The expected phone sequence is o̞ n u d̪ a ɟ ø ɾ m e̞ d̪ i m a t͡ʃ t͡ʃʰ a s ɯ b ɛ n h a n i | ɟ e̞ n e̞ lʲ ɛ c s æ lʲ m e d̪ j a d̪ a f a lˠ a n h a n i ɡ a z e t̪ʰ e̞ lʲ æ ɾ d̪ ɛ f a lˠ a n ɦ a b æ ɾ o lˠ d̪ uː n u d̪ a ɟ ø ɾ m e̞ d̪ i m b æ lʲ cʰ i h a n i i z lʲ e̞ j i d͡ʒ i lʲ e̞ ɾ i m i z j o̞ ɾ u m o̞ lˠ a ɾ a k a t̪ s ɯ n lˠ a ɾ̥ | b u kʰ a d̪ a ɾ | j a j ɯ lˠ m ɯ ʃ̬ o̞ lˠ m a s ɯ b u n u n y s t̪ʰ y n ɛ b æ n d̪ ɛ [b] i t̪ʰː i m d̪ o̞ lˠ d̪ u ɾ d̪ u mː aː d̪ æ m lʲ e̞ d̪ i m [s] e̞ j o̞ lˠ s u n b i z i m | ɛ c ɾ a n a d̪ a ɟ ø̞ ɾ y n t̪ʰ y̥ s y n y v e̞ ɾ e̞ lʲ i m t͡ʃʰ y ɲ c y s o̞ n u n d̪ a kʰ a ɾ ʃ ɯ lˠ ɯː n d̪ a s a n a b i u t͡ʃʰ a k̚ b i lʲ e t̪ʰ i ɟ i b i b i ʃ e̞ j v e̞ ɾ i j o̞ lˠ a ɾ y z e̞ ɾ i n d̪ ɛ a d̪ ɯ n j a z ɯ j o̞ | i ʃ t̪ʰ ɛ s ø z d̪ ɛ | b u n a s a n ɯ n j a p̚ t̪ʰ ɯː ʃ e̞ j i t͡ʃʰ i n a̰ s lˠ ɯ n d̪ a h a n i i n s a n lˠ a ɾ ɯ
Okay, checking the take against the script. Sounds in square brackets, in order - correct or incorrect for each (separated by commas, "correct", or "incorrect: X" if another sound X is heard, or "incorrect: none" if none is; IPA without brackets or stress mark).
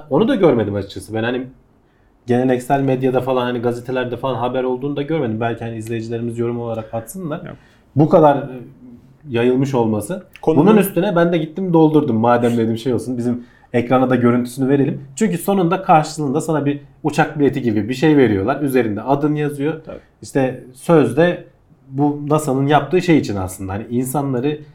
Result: incorrect: ɟ, incorrect: ʃ